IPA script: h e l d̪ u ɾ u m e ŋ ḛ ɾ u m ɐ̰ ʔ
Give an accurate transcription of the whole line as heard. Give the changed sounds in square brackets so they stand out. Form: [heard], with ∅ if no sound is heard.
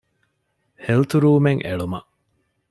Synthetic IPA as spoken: h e l [t̪] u ɾ [uː] m e ŋ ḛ [ɭ] u m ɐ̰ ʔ

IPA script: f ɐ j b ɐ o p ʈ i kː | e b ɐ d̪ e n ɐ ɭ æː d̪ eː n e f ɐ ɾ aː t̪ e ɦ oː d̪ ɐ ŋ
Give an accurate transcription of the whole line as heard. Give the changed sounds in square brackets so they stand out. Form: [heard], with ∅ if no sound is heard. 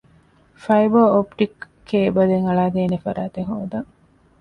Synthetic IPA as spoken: f ɐ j b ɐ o p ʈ i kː | e b ɐ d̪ e [ŋ] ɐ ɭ [aː] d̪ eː n e f ɐ ɾ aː t̪ e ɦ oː d̪ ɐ ŋ

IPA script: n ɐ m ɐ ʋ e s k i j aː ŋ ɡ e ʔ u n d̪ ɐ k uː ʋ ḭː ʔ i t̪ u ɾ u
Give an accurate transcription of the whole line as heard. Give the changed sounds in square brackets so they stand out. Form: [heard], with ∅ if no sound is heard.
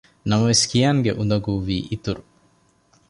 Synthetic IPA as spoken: n ɐ m ɐ ʋ e s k i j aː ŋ ɡ e ʔ u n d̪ ɐ [ɡ] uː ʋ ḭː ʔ i t̪ u ɾ u

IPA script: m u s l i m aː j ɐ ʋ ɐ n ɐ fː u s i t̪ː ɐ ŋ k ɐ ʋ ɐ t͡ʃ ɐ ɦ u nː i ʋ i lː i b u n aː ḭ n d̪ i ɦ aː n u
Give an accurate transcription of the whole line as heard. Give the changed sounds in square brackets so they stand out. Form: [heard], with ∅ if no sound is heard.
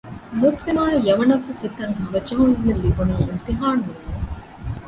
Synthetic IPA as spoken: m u s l i m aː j ɐ ʋ ɐ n ɐ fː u s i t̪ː ɐ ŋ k ɐ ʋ ɐ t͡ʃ ɐ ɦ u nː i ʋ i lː i b u n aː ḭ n [t̪] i ɦ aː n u

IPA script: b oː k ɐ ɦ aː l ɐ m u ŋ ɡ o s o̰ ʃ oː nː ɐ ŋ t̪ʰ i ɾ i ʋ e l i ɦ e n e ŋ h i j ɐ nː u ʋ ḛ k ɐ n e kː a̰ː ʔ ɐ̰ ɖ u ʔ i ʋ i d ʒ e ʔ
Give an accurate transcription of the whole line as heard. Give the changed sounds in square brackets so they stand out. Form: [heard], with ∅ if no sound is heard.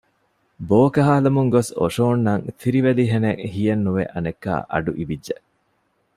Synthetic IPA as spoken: b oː k ɐ ɦ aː l ɐ m u ŋ ɡ o s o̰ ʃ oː nː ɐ ŋ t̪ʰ i ɾ i ʋ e l i ɦ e n e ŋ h i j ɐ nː u ʋ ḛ [ʔ] ɐ n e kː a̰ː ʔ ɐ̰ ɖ u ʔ i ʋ i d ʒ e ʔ

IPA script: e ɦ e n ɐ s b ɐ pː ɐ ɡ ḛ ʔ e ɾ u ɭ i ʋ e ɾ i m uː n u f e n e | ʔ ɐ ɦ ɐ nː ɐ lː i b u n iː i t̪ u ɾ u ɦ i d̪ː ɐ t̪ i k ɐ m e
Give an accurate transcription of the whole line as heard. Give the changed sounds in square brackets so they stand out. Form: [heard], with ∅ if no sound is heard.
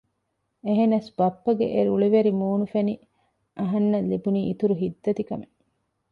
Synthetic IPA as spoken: e ɦ e n ɐ s b ɐ pː ɐ ɡ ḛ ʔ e ɾ u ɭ i ʋ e ɾ i m uː n u f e n [i] | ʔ ɐ ɦ ɐ nː ɐ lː i b u n iː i t̪ u ɾ u ɦ i d̪ː ɐ t̪ i k ɐ m e

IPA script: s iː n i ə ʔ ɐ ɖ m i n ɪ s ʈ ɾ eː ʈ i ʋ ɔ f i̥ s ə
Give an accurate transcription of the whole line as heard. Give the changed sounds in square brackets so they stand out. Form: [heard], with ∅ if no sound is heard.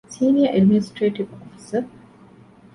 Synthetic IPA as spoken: s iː n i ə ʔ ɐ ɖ m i n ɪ s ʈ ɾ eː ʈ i ʋ ɔ f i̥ s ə

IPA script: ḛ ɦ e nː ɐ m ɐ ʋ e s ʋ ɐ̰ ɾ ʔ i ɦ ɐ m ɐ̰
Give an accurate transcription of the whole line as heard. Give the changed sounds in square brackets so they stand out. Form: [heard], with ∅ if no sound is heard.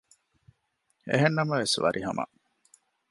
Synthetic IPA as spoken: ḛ ɦ e nː ɐ m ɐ ʋ e s ʋ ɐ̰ ɾ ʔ i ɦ ɐ m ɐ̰

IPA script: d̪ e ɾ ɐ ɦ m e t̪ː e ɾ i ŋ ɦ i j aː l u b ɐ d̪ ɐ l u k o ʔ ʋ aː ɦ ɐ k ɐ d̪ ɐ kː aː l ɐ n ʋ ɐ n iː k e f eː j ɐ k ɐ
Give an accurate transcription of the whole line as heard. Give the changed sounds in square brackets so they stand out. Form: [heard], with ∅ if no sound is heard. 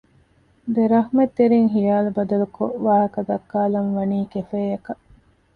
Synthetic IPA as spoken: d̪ e ɾ ɐ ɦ m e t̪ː e ɾ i ŋ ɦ i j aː l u b ɐ d̪ ɐ l u k o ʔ ʋ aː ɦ ɐ k ɐ d̪ ɐ kː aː l ɐ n ʋ ɐ n iː k e f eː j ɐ k ɐ

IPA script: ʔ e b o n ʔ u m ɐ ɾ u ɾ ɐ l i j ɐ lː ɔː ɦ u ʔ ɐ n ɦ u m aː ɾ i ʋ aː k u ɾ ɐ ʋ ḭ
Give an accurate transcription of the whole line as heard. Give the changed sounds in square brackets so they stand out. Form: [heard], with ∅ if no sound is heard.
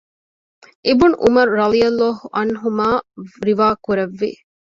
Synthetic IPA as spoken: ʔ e b [u] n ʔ u m ɐ ɾ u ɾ ɐ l i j ɐ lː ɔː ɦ u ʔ ɐ n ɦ u m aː ɾ i ʋ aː k u ɾ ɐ [ʋː] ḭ

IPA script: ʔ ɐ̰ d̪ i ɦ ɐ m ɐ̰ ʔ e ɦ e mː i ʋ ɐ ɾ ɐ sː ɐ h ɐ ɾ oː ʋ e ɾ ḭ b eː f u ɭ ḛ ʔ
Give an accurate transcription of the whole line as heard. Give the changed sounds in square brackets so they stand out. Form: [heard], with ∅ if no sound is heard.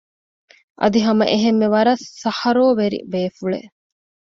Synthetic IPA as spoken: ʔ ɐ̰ d̪ i ɦ ɐ m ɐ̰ ʔ e ɦ e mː [e] ʋ ɐ ɾ ɐ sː ɐ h ɐ ɾ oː ʋ e ɾ ḭ b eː f u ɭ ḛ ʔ

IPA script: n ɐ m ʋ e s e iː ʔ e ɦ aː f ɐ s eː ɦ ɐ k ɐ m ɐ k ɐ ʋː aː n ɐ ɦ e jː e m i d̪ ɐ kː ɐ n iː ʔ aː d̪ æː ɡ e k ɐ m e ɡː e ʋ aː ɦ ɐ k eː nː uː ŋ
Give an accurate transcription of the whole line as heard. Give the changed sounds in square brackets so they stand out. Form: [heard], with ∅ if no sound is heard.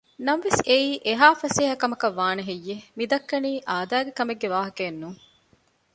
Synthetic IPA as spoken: n ɐ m ʋ e s e iː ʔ e ɦ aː f ɐ s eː ɦ ɐ k ɐ m ɐ k ɐ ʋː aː n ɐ ɦ e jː e m i d̪ ɐ kː ɐ n iː ʔ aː d̪ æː ɡ e k ɐ m e ɡː e ʋ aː ɦ ɐ k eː nː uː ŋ

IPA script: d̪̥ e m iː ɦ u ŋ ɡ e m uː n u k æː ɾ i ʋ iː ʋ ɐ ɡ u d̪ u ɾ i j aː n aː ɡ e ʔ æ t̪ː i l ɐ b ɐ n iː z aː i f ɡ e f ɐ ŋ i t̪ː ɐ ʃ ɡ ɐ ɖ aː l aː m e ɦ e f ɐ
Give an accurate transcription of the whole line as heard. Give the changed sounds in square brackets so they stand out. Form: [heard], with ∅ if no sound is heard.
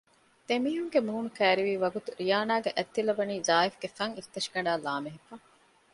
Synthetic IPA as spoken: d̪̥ e m iː ɦ u ŋ ɡ e m uː n u k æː ɾ i ʋ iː ʋ ɐ ɡ u [t̪] u ɾ i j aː n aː ɡ e ʔ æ t̪ː i l ɐ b ɐ n iː z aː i f ɡ e f ɐ ŋ i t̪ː ɐ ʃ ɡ ɐ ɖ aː l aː m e ɦ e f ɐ

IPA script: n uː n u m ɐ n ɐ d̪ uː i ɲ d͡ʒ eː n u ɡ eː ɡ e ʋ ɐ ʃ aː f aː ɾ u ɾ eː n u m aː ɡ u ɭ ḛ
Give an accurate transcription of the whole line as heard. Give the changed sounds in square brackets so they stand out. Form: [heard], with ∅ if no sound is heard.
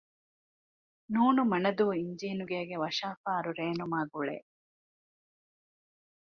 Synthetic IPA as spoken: n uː n u m ɐ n ɐ d̪ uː i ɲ d͡ʒ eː n u ɡ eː ɡ e ʋ ɐ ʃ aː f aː ɾ u ɾ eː n u m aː ɡ u ɭ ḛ

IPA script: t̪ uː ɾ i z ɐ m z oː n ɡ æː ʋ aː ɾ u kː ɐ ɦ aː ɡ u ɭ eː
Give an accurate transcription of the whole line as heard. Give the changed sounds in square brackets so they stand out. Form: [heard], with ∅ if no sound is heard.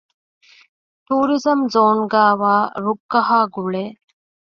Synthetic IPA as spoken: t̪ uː ɾ i z ɐ m z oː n ɡ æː ʋ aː ɾ u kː ɐ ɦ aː ɡ u ɭ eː

